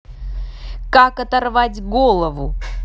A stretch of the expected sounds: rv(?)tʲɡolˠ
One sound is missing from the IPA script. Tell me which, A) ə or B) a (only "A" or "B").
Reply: B